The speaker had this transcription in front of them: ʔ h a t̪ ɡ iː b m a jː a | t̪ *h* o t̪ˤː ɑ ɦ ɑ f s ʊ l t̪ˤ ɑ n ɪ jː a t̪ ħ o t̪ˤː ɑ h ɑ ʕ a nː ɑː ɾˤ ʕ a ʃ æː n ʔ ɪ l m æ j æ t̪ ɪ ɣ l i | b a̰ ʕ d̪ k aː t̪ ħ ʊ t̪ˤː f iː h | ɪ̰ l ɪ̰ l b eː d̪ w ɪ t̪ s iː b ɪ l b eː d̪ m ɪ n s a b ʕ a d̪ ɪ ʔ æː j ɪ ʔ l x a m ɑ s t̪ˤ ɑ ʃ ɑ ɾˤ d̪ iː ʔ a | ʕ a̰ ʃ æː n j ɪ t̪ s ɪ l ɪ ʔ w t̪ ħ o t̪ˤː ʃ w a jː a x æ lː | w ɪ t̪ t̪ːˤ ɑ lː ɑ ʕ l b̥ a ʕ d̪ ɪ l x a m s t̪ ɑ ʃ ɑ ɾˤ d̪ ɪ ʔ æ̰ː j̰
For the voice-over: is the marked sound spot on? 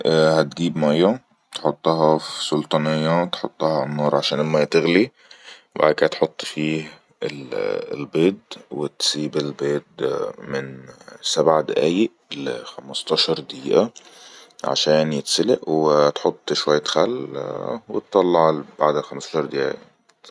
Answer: no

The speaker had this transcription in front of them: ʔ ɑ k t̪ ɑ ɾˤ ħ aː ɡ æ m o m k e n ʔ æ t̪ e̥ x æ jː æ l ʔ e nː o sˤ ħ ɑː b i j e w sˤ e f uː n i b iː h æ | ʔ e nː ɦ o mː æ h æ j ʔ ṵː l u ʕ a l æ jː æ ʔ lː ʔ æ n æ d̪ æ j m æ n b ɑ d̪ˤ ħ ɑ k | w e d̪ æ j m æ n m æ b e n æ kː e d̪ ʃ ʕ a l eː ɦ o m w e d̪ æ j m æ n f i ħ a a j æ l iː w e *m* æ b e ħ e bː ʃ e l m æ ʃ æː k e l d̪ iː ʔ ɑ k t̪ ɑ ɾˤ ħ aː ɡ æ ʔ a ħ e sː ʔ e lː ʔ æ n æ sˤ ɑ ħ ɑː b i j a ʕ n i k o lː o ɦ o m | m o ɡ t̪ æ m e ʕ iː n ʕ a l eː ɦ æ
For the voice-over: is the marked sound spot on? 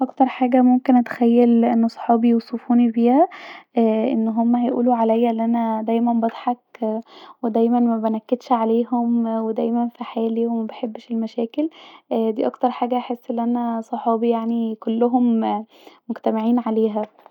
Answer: yes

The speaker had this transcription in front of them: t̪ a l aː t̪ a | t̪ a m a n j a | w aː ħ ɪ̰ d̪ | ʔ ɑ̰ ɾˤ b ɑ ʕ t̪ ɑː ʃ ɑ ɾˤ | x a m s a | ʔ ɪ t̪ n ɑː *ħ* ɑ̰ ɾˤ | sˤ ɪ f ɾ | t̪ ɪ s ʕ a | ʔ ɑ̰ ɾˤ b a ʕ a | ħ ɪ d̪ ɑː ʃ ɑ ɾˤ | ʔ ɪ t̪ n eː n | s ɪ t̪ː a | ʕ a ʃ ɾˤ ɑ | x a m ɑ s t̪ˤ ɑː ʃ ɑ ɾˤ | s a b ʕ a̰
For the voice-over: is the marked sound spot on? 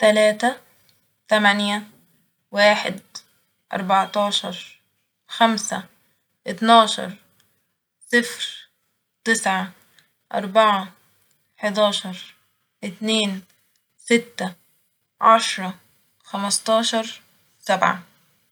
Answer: no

